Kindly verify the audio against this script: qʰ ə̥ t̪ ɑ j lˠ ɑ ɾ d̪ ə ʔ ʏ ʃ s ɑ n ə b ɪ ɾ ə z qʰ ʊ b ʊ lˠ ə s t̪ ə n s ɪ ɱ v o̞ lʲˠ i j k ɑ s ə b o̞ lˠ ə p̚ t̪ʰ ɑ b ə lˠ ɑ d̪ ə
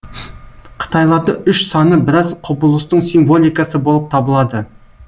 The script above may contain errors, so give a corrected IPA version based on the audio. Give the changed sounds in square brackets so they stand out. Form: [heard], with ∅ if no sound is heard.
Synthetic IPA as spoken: qʰ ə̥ t̪ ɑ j lˠ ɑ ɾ d̪ ə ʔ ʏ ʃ s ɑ n ə b ɪ ɾ [ɑ] z qʰ ʊ b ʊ lˠ ə s t̪ ə [ɴ] s [i] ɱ v o̞ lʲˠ i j k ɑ s ə b o̞ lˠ ə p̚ t̪ʰ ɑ b ə lˠ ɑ d̪ ə